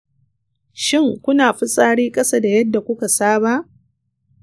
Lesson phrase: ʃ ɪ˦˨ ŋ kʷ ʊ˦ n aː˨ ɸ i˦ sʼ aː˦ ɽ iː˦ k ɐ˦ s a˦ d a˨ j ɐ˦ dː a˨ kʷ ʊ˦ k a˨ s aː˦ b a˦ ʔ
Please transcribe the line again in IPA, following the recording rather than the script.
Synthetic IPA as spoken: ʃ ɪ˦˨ ŋ kʷ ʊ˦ n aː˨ ɸ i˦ sʼ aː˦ ɽ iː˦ kʼ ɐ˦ s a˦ d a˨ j ɐ˦ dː a˨ kʷ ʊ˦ k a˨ s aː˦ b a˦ ʔ

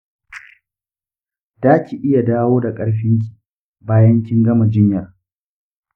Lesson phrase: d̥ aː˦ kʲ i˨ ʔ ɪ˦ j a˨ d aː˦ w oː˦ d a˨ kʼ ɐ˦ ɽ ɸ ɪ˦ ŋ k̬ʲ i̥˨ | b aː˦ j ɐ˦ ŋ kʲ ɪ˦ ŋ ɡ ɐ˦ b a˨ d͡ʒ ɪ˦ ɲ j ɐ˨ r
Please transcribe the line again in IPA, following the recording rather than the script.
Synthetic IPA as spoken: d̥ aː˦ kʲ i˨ ʔ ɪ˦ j a˨ d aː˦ w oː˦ d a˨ kʼ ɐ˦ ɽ ɸ ɪ˦ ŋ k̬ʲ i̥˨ | b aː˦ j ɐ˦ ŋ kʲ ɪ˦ ŋ ɡ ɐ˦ m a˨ d͡ʒ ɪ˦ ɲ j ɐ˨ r

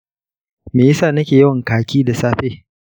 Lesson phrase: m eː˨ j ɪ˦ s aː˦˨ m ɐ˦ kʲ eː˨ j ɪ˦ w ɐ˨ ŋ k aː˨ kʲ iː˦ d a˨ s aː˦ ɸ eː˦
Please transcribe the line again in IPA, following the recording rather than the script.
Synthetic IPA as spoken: m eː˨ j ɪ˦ s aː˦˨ n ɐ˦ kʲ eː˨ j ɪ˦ w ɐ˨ ŋ k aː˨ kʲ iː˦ d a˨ s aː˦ ɸ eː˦

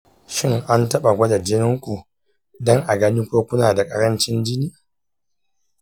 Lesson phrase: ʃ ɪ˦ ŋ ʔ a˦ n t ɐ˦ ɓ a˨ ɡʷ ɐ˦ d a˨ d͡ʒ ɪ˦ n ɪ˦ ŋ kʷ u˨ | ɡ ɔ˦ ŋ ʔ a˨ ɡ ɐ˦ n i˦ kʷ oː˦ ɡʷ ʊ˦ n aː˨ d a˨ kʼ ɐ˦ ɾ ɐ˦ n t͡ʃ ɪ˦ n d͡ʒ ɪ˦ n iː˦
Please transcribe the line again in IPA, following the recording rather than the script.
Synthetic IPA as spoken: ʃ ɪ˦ ŋ ʔ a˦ n t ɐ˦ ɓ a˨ ɡʷ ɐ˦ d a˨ d͡ʒ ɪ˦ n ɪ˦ ŋ kʷ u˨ | d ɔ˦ ŋ ʔ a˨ ɡ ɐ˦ n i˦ kʷ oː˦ kʷ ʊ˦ n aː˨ d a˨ kʼ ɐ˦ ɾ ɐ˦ n t͡ʃ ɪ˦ n d͡ʒ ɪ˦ n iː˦

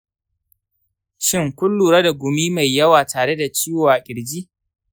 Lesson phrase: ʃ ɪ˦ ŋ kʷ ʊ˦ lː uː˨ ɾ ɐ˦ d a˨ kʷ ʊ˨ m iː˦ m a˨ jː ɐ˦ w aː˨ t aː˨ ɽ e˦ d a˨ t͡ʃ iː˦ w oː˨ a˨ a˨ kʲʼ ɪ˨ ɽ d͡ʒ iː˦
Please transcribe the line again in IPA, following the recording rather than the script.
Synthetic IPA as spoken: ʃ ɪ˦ ŋ kʷ ʊ˦ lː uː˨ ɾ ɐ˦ d a˨ ɡʷ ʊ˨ m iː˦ m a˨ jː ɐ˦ w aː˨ t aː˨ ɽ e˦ d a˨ t͡ʃ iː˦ w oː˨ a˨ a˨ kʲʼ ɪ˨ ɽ d͡ʒ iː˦

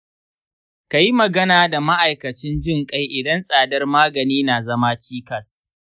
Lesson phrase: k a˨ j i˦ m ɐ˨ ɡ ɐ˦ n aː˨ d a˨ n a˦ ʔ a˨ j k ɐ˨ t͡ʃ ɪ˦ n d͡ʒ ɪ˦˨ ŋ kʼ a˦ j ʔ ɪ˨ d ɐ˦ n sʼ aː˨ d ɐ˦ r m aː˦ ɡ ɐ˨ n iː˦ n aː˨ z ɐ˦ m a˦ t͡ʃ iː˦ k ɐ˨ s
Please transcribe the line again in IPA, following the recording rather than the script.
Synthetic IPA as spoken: k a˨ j i˦ m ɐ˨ ɡ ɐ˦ n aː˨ d a˨ m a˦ ʔ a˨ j k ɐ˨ t͡ʃ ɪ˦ n d͡ʒ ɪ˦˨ ŋ kʼ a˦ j ʔ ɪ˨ d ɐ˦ n sʼ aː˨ d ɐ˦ r m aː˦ ɡ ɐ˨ n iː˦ n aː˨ z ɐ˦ m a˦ t͡ʃ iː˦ k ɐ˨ s

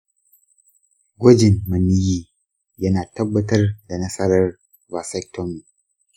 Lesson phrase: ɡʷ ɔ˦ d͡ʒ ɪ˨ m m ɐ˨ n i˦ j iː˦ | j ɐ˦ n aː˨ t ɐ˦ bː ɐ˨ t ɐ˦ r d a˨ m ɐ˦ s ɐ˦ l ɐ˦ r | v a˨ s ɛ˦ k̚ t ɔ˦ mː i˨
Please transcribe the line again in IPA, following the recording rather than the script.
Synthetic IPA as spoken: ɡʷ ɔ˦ d͡ʒ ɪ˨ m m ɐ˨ n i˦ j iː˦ | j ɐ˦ n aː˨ t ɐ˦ bː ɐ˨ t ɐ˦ r d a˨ n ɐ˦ s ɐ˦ ɾ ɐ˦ r | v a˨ s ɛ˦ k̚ t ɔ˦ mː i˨

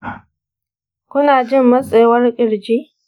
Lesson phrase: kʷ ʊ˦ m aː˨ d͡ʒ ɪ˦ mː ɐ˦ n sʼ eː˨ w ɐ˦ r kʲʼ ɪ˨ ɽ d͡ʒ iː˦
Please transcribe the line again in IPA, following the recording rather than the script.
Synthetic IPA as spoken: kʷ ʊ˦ n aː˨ d͡ʒ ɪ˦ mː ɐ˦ sʼ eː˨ w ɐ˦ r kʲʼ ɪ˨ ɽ d͡ʒ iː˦

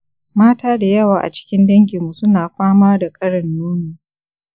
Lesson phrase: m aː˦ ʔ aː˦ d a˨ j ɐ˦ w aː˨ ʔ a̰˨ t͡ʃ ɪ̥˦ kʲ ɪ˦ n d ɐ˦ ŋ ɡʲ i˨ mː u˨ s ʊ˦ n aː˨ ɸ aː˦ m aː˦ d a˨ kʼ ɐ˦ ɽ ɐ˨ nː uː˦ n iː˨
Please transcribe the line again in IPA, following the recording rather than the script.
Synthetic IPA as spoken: m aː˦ t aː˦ d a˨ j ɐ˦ w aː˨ ʔ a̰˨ t͡ʃ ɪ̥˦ kʲ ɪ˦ n d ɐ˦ ŋ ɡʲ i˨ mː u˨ s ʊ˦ n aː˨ ɸ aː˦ m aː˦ d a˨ kʼ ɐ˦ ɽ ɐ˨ nː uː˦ n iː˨

